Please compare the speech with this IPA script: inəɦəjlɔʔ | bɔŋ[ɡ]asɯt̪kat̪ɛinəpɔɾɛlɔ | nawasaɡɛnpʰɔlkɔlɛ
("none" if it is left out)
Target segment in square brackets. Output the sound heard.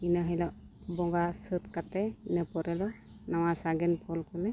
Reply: ɡ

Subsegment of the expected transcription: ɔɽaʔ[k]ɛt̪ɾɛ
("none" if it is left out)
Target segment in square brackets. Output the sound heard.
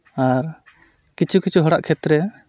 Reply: kʰ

